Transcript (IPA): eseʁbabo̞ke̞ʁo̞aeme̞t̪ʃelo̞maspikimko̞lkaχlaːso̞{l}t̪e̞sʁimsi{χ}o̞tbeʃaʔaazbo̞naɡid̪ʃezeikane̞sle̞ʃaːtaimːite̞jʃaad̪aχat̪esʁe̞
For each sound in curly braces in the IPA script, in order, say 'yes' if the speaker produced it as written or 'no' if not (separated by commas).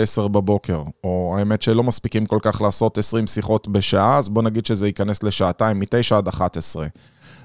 no, yes